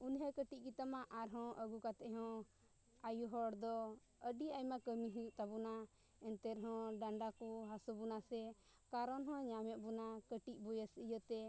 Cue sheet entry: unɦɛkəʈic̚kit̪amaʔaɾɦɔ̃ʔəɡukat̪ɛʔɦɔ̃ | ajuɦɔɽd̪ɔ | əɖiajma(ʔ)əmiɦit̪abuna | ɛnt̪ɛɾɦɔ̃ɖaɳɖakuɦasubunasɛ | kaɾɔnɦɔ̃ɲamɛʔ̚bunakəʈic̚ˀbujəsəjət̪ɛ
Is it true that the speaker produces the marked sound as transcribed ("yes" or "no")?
no